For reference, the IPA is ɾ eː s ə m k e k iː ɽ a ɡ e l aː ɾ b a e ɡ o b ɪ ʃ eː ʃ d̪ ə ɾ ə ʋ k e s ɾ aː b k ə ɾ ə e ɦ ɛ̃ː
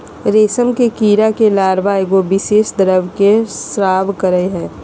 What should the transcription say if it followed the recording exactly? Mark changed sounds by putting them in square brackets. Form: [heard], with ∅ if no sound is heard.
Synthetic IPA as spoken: ɾ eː s ə m k e k iː [ɾ] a [k] e l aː ɾ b a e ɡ o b ɪ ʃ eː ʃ d̪ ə ɾ ə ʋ k e s ɾ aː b k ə ɾ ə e ɦ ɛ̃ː